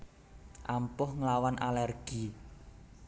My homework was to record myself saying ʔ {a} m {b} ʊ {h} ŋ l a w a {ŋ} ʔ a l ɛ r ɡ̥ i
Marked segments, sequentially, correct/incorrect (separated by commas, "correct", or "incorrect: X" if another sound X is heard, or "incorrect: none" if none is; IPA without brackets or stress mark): correct, incorrect: p, correct, incorrect: n